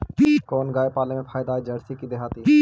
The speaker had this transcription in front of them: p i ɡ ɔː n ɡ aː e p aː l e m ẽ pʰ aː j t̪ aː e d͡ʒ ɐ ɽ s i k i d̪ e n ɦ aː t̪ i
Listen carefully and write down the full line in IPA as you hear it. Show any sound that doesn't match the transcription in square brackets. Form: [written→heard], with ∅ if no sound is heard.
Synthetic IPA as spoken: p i [ɡ→k] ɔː n ɡ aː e p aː l e m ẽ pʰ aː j [t̪→d̪] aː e d͡ʒ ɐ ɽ s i k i d̪ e [n→∅] ɦ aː t̪ i

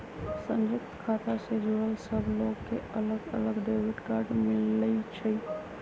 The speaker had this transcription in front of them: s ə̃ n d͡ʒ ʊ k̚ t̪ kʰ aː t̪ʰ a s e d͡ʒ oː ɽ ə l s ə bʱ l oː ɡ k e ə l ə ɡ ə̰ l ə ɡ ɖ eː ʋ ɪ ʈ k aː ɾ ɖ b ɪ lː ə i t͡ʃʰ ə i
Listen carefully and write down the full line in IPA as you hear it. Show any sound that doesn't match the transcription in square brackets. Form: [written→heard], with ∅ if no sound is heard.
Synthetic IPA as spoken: s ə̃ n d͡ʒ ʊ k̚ t̪ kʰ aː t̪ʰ a s e d͡ʒ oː ɽ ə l s ə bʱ l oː ɡ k e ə l ə ɡ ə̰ l ə ɡ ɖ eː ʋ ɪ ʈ k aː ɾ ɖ [b→m] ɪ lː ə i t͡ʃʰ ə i

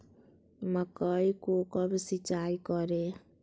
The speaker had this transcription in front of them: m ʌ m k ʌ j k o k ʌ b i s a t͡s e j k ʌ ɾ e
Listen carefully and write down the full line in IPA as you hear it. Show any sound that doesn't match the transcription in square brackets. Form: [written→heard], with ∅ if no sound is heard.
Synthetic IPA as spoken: m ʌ [m→∅] k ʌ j k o k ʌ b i s [a→i] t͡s [e→a] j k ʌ ɾ e

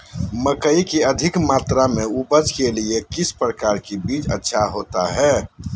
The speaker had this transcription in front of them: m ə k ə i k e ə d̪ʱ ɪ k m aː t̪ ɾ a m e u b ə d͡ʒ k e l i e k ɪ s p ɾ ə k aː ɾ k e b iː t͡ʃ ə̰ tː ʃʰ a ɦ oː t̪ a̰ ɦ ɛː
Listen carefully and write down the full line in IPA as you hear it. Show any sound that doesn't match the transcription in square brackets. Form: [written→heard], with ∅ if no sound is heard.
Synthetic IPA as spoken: m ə k ə i k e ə d̪ʱ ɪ k m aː t̪ ɾ a m e u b ə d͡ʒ k e l i e k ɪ s p ɾ ə k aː ɾ k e b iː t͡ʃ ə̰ tː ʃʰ a ɦ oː t̪ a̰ ɦ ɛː

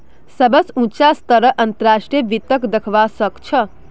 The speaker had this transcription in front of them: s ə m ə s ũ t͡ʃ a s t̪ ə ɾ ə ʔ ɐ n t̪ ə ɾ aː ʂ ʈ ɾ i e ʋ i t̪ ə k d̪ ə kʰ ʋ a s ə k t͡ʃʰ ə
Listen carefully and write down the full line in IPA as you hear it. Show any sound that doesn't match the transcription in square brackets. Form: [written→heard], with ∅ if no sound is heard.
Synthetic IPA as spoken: s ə [m→b] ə s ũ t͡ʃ a s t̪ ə ɾ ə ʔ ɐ n t̪ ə ɾ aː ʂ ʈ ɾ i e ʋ i t̪ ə k d̪ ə kʰ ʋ a s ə k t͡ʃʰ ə

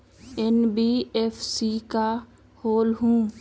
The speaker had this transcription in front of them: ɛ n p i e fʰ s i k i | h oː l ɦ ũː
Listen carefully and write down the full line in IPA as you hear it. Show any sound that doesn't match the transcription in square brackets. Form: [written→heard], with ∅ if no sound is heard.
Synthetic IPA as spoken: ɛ n [p→b] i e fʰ s i k [i→a] | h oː l ɦ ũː

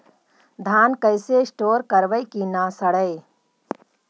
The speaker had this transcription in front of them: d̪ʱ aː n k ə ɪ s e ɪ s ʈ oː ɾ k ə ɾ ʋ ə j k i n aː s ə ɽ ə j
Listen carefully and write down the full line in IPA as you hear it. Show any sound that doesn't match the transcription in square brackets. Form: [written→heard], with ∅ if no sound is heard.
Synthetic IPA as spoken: d̪ʱ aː n k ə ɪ s e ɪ s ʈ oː ɾ k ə ɾ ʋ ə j k i n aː s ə ɽ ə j

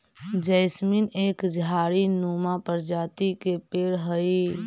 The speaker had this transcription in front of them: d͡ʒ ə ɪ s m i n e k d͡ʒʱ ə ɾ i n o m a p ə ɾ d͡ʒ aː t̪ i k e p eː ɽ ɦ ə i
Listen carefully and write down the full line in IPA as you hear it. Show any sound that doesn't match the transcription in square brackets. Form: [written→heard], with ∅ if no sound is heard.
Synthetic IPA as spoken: d͡ʒ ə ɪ s m i n e k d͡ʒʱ [ə→a] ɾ i n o m a p ə ɾ d͡ʒ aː t̪ i k e p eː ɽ ɦ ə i

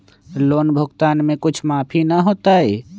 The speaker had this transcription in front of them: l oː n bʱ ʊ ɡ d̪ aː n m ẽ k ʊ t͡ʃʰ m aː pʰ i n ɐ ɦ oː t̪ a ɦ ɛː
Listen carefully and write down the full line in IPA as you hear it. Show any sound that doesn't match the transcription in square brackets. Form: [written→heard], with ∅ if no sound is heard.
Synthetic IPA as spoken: l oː n bʱ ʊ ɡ [d̪→t̪] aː n m ẽ k ʊ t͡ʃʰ m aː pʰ i n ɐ ɦ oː t̪ a ɦ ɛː

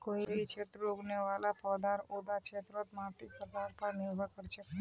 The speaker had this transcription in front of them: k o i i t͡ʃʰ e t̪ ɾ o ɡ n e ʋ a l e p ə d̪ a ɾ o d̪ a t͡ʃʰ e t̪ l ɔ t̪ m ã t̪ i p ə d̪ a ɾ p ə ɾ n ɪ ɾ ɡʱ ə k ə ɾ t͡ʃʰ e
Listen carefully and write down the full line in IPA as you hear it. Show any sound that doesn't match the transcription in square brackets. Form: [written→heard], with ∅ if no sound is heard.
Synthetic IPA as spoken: k o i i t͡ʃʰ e t̪ ɾ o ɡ n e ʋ a l [e→a] p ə d̪ a ɾ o d̪ a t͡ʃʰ e t̪ [l→ɾ] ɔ t̪ m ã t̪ i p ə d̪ a ɾ p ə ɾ n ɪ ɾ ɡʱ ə k ə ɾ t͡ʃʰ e

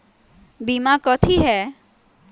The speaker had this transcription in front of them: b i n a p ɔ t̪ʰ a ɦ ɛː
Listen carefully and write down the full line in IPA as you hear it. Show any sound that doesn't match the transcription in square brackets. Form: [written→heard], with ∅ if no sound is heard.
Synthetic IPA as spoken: b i [n→m] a [p→k] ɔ t̪ʰ [a→i] ɦ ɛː

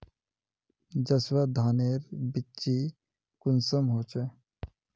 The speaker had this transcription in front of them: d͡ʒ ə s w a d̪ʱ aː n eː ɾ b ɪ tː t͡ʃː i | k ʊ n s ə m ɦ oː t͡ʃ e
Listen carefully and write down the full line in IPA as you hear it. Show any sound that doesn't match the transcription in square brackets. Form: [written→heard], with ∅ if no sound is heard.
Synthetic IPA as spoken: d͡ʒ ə s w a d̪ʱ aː n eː ɾ b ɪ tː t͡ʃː i | k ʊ n s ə m ɦ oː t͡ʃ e

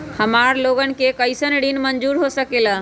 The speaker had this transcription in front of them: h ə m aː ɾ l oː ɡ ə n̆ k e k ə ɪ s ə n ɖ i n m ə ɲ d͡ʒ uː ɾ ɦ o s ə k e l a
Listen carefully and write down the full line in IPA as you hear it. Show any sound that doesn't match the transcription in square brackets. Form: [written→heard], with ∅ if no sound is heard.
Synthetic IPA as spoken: h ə m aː ɾ l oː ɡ ə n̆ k e k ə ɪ s ə n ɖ i n m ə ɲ d͡ʒ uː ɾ ɦ o s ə k e l a

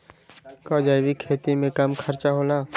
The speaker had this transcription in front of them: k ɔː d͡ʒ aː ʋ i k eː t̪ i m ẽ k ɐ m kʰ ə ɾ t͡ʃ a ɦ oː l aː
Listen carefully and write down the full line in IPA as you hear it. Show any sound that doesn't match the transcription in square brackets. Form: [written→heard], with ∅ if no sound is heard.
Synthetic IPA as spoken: k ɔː d͡ʒ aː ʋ i [k→kʰ] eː t̪ i m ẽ k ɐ m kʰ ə ɾ t͡ʃ a ɦ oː l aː

